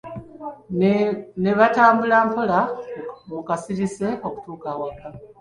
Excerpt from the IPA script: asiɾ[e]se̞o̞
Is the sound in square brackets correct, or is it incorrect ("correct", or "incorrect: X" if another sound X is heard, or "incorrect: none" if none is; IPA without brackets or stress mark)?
incorrect: i